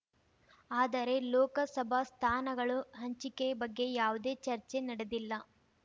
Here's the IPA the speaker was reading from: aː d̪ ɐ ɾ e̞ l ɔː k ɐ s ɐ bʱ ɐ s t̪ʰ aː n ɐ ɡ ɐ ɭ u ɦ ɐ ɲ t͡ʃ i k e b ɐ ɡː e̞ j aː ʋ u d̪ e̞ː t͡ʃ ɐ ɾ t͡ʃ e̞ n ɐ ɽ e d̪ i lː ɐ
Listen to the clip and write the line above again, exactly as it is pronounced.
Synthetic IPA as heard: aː d̪ ɐ ɾ e̞ l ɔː k ɐ s ɐ bʱ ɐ s t̪ʰ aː n ɐ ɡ ɐ ɭ u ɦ ɐ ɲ t͡ʃ i k e b ɐ ɡː e̞ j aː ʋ u d̪ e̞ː t͡ʃ ɐ ɾ t͡ʃ e̞ n ɐ ɽ e d̪ i lː ɐ